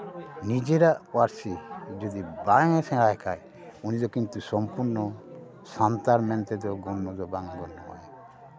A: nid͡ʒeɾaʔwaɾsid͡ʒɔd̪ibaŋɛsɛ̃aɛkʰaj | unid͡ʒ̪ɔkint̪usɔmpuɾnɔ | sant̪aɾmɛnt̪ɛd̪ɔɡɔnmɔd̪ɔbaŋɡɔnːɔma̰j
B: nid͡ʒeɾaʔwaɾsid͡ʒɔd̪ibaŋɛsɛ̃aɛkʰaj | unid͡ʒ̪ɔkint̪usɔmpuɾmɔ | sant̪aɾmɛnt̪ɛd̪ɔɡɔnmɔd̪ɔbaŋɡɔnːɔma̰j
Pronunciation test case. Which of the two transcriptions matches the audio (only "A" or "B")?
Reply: A